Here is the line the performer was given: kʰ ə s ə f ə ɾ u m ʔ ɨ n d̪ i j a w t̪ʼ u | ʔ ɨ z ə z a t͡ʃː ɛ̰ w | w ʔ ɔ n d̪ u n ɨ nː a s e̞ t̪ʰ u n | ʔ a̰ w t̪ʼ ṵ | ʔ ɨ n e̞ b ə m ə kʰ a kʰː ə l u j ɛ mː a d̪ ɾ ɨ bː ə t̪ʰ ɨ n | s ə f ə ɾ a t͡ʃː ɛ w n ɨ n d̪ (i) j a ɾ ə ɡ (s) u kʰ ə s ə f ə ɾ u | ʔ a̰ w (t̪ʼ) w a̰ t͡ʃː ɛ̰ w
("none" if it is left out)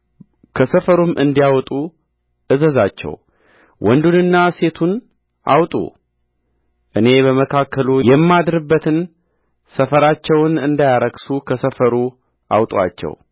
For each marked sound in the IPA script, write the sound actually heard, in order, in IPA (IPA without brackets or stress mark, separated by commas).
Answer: a, s, t̪ʼ